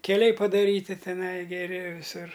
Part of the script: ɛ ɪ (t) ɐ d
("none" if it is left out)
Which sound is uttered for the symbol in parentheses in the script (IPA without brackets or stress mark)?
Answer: p